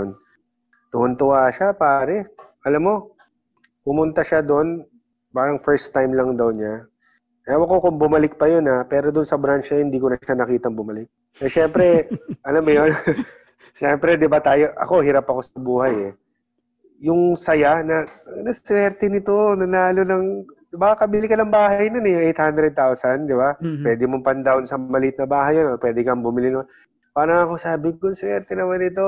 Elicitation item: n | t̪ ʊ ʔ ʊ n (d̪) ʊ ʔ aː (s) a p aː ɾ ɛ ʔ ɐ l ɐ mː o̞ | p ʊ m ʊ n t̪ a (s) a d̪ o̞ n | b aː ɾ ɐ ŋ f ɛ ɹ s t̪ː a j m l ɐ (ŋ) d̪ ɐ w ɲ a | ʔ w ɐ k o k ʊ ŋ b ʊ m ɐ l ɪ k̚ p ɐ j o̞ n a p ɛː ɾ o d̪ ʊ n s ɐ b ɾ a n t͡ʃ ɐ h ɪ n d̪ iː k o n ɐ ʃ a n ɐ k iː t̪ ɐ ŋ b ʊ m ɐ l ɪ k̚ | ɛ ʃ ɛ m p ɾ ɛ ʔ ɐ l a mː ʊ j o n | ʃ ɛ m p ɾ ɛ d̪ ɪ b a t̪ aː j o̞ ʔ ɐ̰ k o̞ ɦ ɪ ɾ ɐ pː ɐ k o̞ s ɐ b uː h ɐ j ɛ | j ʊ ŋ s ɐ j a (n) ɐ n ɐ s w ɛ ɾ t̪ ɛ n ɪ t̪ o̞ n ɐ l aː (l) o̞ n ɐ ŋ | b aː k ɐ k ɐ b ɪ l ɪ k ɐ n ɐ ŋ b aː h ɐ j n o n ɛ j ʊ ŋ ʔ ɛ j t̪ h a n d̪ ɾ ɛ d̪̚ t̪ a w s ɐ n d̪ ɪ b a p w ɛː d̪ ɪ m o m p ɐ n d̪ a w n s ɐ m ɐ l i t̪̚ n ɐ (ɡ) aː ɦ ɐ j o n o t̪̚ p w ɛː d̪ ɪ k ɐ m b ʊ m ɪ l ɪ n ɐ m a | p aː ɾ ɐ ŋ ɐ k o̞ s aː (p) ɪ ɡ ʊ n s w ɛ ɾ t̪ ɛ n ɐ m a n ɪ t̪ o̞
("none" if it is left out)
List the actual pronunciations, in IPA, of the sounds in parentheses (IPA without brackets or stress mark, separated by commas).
t̪, ʃ, ʃ, ŋ, n, l, b, b